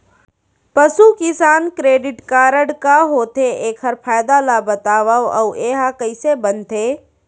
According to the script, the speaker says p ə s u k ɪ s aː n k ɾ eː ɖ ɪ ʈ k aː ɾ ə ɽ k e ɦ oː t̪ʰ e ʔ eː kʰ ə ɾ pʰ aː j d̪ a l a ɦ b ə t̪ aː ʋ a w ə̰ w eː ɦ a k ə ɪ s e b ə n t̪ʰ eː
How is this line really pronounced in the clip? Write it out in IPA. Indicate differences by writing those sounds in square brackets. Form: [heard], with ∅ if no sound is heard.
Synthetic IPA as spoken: p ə s u k ɪ s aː n k ɾ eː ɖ ɪ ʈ k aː ɾ ə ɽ k [a] ɦ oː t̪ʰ e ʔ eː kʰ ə ɾ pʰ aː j d̪ a l a [∅] b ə t̪ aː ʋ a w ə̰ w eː ɦ a k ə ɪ s e b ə n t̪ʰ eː